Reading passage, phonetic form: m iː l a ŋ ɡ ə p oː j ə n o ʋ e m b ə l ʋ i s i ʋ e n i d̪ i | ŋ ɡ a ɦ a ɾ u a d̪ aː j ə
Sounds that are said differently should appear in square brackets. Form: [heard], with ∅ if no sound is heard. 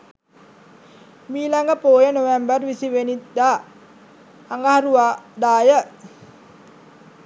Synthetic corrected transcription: m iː l a ŋ ɡ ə p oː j ə n o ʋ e m b ə [r] ʋ i s i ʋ e n i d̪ [a] | ŋ ɡ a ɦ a ɾ u a d̪ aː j ə